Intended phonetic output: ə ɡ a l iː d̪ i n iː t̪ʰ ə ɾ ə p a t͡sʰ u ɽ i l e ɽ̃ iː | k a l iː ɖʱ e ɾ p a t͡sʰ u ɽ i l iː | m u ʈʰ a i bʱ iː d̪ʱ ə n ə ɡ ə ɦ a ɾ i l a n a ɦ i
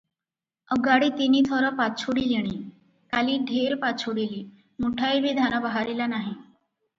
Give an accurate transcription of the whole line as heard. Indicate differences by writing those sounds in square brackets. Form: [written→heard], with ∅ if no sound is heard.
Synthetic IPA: ə ɡ a [l→ɽ] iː [d̪→t̪] i n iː t̪ʰ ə ɾ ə p a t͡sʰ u ɽ i l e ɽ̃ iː | k a l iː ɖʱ e ɾ p a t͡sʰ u ɽ i l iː | m u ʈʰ a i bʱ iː d̪ʱ [ə→a] n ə [ɡ→b] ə ɦ a ɾ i l a n a ɦ i